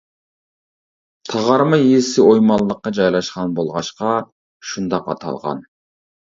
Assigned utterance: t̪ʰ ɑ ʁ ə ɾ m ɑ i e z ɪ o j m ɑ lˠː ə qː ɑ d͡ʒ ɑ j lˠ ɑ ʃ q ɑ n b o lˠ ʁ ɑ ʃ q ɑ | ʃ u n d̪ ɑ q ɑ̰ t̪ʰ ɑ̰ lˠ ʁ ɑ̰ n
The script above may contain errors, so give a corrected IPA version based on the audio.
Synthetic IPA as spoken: t̪ʰ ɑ ʁ ɑ ɾ m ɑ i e s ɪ o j m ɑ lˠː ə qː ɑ d͡ʒ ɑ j lˠ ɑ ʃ q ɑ n b o lˠ ʁ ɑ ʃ q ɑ | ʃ u n d̪ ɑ q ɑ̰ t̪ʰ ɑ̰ lˠ ʁ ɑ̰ n